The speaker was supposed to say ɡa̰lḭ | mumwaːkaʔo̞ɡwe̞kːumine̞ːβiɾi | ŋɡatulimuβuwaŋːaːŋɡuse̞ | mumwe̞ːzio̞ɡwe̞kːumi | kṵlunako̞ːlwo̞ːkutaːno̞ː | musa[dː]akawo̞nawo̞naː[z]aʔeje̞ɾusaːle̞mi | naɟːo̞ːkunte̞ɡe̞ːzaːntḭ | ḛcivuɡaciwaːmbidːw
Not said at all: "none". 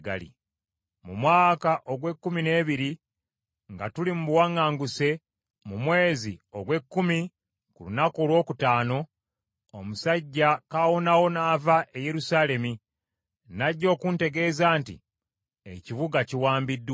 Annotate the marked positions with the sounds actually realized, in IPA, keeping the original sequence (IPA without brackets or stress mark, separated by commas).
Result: ɟː, v